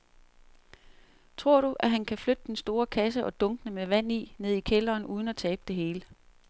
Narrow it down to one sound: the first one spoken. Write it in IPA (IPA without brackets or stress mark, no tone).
t͡sʰ